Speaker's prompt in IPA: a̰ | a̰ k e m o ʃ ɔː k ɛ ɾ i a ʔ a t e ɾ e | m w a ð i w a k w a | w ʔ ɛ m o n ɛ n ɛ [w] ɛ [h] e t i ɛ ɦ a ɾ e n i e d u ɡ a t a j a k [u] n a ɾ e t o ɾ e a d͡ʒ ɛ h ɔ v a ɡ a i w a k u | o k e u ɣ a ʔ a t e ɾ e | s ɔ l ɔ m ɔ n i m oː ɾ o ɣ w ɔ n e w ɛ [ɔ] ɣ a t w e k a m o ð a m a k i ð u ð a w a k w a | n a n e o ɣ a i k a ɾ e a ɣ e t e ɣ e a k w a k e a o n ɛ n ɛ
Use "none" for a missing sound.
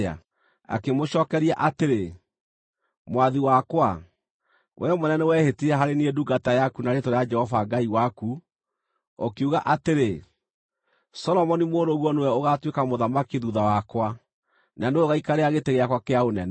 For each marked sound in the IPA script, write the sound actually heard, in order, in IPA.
w, h, u, o

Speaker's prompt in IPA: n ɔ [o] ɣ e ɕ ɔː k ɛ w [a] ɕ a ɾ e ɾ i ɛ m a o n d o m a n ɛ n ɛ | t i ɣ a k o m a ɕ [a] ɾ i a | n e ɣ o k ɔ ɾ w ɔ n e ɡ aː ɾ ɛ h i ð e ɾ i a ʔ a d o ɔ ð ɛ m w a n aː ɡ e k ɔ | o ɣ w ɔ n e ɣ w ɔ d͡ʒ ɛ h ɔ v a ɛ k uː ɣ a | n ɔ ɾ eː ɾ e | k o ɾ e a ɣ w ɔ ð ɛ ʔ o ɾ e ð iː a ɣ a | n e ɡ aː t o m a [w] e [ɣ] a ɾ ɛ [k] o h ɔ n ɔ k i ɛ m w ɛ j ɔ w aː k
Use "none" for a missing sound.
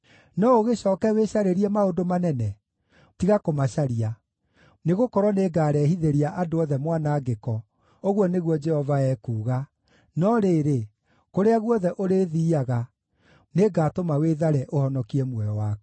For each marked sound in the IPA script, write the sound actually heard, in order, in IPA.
o, e, a, w, ð, ʔ

